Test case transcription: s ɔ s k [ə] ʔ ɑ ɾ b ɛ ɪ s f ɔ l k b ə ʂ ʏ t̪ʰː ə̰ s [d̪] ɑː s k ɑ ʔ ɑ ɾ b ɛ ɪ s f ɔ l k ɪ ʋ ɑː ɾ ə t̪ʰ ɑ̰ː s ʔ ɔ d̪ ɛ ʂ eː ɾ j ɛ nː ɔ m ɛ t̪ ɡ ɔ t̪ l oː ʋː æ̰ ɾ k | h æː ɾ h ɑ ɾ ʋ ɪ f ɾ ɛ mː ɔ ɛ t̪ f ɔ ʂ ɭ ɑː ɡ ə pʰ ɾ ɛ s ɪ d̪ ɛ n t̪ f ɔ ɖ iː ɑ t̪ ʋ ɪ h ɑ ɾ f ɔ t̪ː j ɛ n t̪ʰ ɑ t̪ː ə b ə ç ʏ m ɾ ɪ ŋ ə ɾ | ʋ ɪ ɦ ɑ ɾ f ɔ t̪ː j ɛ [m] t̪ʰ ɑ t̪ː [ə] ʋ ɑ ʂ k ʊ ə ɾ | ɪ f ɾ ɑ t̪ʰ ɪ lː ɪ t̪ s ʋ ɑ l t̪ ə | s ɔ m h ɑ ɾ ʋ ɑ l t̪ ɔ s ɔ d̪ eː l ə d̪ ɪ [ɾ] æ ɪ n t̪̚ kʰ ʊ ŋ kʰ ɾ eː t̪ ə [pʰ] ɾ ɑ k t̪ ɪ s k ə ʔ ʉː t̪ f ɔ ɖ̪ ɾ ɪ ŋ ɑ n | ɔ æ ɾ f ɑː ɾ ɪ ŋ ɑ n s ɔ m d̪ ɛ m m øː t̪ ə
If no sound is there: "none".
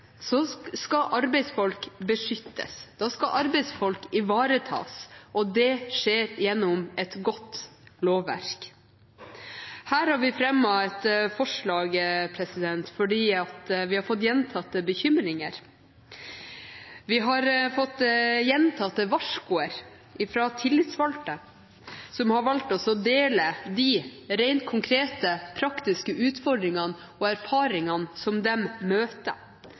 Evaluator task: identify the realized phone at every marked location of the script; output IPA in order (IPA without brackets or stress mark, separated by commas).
ɑ, d̪, n, ə, ɾ, pʰ